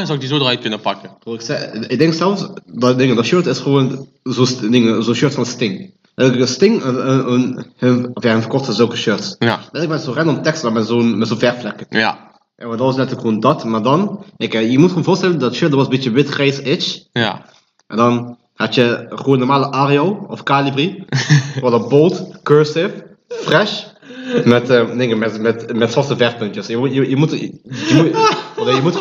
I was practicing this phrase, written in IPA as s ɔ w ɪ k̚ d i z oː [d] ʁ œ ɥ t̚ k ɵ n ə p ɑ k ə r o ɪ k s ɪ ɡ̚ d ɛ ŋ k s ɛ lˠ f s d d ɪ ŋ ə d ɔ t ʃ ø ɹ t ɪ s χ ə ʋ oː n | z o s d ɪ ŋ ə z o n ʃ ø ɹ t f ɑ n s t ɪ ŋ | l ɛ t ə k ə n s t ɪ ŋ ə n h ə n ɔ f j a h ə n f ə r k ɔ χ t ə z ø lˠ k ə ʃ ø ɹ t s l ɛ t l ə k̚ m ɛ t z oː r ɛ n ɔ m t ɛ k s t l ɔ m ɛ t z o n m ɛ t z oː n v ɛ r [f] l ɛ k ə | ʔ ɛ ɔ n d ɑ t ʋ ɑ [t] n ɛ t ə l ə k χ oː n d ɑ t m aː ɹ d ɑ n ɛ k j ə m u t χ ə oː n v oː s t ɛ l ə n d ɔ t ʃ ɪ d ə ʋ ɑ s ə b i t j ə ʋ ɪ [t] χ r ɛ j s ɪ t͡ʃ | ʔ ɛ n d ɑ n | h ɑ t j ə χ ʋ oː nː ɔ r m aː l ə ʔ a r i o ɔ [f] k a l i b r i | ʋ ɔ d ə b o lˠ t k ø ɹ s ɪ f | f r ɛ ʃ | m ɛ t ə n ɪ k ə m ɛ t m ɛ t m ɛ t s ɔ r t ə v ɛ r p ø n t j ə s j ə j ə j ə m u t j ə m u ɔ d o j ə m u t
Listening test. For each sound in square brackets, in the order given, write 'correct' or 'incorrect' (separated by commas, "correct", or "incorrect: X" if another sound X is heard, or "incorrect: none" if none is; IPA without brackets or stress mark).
correct, correct, incorrect: s, correct, correct